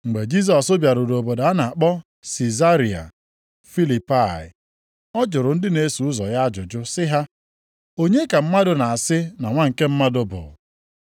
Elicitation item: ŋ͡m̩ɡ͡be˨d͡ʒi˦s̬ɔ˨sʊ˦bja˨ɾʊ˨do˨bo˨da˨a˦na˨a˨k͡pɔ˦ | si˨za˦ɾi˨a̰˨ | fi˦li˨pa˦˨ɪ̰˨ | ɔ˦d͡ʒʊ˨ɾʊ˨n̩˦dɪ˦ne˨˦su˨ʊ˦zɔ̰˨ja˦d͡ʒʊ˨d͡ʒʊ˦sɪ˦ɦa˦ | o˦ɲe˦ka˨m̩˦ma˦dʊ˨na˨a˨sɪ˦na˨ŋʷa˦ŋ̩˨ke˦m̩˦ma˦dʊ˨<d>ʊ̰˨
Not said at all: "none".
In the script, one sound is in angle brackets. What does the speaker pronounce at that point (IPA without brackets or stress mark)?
b